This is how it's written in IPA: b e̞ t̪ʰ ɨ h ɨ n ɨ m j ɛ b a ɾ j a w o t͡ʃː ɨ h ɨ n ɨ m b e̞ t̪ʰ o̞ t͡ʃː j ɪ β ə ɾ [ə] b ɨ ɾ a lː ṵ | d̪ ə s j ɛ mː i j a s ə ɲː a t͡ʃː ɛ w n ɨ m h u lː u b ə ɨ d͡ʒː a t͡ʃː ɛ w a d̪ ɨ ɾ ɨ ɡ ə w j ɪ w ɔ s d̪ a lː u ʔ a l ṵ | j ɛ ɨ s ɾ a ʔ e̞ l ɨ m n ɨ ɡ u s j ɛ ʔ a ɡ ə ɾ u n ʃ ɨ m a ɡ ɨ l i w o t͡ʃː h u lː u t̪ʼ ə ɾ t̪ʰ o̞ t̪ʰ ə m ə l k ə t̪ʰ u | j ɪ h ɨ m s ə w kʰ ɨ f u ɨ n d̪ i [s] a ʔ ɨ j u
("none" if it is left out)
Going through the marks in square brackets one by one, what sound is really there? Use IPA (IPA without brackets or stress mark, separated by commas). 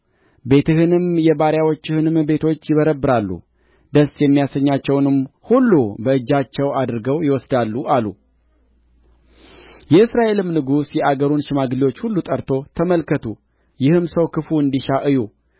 ə, ʃ